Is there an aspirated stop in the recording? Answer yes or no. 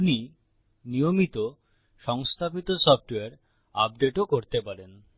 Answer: yes